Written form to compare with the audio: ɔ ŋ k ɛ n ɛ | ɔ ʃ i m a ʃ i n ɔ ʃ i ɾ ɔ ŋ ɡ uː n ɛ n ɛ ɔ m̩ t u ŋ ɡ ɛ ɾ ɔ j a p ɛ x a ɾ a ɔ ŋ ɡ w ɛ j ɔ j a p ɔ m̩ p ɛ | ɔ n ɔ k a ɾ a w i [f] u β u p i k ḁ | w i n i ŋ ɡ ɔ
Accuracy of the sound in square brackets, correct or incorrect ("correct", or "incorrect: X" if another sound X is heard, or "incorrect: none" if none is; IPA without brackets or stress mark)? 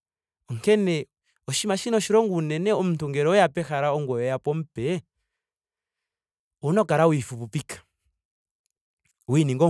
correct